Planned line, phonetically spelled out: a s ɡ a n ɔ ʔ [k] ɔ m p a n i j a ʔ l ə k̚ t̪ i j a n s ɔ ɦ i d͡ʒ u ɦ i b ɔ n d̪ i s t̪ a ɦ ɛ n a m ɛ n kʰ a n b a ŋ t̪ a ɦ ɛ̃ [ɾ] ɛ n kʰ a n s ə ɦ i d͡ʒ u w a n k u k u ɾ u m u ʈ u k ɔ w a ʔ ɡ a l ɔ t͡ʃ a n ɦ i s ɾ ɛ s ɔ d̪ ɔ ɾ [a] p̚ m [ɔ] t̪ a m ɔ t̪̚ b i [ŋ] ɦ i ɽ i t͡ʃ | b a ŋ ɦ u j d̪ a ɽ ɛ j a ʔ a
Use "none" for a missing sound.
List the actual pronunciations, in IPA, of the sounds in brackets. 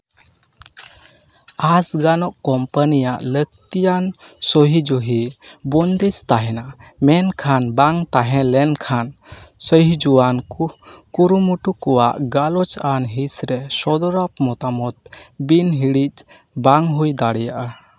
k, l, a, ɔ, n

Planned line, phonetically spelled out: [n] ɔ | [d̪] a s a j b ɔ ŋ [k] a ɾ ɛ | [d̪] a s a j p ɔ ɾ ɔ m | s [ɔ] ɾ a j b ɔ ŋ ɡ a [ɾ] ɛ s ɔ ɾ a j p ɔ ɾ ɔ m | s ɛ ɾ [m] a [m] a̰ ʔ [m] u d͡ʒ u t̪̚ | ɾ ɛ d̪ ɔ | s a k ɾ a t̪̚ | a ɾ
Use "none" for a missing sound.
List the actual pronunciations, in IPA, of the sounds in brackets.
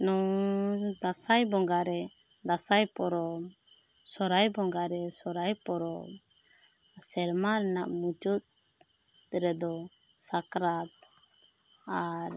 n, d̪, ɡ, d̪, ɔ, ɾ, m, n, m

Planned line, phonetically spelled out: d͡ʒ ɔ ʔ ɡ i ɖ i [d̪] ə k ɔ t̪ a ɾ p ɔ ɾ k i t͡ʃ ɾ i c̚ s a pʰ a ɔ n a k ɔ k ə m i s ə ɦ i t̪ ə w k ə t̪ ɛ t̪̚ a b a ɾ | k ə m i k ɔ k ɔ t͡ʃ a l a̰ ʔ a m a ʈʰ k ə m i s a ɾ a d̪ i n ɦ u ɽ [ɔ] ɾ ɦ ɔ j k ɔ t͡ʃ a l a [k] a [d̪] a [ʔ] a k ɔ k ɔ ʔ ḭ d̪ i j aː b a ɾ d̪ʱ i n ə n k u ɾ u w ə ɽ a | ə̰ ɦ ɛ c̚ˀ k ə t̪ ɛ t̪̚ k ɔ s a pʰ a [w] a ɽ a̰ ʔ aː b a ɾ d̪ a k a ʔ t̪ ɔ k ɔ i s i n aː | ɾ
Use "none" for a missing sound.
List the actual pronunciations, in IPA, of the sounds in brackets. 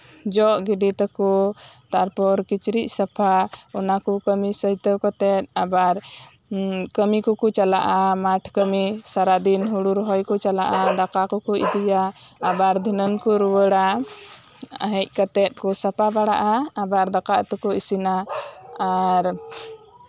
t̪, u, ʔ, d̪, k, b

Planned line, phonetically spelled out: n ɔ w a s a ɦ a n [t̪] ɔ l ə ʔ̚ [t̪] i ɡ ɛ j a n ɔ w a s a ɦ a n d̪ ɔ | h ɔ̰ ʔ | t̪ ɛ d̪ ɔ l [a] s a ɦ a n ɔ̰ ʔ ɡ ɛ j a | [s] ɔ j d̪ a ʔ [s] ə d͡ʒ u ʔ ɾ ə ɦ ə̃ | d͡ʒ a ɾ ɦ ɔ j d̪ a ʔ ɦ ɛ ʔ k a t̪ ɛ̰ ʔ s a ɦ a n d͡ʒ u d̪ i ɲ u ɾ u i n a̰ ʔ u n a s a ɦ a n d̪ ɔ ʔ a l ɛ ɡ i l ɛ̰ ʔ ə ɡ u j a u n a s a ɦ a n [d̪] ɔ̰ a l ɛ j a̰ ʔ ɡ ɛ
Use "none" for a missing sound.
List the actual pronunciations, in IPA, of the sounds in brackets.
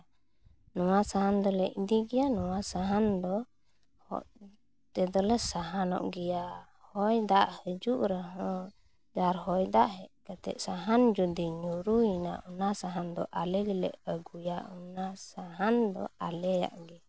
d̪, d̪, ɛ, h, h, d̪

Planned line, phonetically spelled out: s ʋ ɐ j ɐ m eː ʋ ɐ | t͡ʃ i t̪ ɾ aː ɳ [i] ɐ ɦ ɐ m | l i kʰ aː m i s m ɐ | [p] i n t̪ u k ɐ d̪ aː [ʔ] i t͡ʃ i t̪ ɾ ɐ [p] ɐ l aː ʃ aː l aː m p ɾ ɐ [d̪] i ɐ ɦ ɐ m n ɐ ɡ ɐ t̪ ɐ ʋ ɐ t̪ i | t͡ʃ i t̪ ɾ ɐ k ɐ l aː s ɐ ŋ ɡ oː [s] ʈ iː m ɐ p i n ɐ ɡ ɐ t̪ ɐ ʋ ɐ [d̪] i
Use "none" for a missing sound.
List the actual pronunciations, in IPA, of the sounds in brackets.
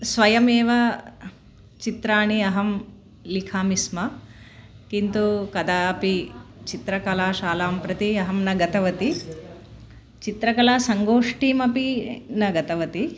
i, k, p, k, t̪, ʂ, t̪

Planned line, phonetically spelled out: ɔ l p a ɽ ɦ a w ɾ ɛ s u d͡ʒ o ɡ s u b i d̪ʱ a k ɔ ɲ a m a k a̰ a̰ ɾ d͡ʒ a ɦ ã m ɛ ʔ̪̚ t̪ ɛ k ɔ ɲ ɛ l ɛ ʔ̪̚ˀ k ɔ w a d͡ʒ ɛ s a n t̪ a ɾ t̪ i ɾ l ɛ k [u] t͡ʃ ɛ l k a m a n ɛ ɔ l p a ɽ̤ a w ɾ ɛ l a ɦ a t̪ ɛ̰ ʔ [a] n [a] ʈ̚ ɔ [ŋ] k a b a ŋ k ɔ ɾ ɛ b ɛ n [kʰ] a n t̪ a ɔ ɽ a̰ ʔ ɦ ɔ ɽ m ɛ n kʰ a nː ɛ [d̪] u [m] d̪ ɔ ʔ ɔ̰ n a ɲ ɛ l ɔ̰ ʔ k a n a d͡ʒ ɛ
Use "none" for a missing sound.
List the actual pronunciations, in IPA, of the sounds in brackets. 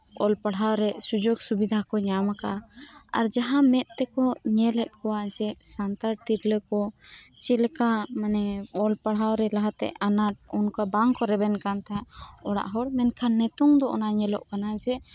ɔ, a, a, n, k, t̪, ŋ

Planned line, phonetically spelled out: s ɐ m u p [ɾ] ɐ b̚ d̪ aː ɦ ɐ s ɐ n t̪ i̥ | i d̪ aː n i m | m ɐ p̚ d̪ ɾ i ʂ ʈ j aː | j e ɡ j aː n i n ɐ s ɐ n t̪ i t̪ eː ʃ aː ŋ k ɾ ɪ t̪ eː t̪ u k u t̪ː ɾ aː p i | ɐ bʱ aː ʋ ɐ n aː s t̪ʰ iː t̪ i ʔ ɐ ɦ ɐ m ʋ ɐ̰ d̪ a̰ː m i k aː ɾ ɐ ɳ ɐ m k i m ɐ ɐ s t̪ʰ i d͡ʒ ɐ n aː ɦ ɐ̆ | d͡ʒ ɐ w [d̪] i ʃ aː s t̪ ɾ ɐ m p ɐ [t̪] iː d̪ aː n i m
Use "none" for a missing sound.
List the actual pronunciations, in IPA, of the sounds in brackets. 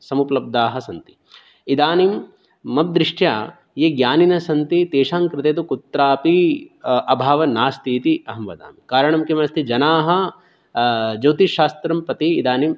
l, t̪, t̪

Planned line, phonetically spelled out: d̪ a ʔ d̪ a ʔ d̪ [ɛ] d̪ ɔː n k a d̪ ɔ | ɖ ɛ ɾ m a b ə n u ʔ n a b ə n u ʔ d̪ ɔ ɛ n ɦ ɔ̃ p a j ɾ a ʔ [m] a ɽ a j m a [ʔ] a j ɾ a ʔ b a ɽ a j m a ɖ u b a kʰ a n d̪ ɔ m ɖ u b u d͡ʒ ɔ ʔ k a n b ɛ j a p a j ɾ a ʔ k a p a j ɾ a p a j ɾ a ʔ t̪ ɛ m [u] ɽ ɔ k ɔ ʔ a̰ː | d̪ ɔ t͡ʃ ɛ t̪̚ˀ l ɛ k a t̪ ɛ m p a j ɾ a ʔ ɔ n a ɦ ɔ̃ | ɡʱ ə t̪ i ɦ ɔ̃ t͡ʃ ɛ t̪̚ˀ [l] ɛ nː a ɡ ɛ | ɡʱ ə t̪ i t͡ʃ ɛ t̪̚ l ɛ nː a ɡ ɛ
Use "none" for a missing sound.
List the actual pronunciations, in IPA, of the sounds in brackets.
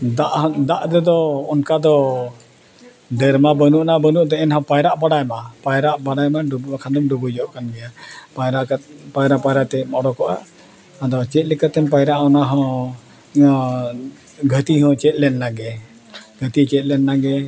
ɛ, b, p, ɔ, l

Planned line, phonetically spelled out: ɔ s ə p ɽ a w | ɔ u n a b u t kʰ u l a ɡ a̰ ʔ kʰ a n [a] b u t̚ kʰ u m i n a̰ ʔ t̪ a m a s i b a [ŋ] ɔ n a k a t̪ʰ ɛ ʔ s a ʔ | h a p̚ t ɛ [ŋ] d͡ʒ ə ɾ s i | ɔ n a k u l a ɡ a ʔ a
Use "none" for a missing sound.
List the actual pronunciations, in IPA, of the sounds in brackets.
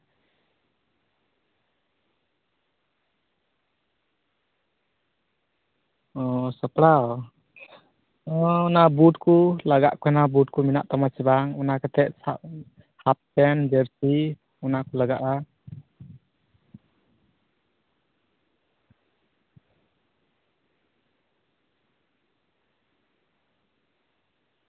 a, ŋ, n

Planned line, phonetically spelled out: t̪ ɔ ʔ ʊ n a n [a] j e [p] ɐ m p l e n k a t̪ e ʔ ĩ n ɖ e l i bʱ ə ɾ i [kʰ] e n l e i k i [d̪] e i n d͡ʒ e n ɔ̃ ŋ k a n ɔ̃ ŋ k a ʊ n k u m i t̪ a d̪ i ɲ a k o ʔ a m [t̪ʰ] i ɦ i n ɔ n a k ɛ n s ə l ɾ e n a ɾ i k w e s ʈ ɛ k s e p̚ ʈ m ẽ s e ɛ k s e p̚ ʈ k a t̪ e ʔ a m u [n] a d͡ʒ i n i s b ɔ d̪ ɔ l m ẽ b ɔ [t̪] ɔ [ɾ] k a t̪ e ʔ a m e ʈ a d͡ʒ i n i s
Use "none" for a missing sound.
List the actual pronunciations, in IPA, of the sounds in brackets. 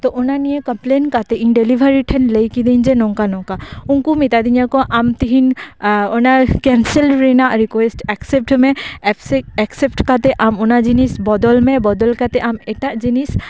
i, k, ʈʰ, d̪, t̪, n, d̪, l

